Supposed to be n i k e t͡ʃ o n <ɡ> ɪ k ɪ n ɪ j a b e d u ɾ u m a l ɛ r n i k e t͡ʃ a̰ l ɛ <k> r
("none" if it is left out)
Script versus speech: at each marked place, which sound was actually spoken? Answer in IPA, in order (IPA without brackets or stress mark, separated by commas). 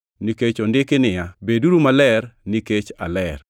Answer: d, none